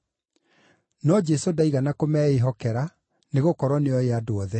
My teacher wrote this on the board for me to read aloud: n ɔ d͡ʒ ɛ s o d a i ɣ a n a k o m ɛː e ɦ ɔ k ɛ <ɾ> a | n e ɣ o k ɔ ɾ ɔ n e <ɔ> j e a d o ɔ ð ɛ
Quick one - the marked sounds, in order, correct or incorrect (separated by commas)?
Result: correct, correct